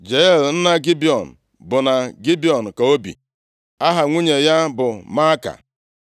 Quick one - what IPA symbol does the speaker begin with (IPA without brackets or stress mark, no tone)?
d͡ʒ